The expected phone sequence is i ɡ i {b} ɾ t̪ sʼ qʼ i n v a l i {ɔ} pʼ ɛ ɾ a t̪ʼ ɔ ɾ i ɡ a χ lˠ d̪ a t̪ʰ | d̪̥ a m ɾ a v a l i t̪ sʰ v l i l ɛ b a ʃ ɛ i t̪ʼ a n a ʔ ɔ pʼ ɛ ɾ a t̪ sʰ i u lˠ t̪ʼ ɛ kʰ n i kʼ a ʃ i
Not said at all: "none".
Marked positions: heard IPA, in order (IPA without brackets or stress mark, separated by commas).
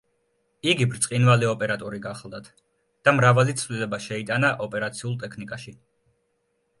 b, ɔ